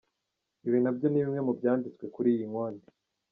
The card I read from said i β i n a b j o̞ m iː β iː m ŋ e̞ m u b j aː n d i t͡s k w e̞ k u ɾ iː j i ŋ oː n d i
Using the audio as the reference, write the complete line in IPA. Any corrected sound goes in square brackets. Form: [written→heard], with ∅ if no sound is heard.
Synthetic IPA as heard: i β i n a b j o̞ [m→n] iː β [iː→i] m ŋ e̞ m u b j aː n d i t͡s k w e̞ k u ɾ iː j i ŋ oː n d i